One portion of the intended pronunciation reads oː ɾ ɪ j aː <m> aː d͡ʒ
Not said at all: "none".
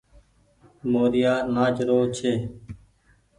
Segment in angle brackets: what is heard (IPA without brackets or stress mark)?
n